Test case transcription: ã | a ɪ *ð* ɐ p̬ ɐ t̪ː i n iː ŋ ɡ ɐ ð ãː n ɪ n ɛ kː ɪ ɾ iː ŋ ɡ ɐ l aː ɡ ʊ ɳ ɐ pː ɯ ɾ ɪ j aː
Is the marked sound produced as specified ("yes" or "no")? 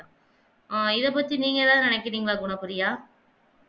yes